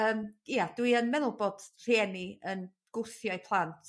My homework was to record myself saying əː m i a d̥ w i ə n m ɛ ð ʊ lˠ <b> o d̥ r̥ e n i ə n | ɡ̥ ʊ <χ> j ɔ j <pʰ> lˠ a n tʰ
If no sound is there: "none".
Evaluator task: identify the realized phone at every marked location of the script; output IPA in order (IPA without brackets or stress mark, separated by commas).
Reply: b, θ, pʰ